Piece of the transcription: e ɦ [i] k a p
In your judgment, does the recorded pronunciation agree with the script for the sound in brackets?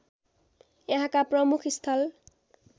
no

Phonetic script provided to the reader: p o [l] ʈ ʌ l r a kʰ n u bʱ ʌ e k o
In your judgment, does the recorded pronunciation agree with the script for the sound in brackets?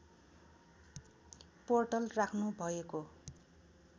no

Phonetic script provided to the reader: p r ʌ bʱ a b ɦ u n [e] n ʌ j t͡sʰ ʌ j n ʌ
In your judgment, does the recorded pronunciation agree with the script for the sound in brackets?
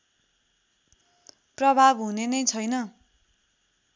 yes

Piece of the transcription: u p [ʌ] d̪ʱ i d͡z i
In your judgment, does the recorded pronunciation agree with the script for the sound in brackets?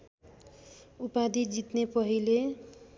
no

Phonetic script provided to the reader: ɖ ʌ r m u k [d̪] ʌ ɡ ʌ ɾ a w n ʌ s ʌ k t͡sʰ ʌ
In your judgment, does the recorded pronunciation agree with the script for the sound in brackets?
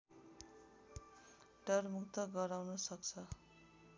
no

